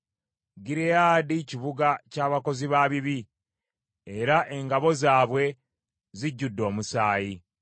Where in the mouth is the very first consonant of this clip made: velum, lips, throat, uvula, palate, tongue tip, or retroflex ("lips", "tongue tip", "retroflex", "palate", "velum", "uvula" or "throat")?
velum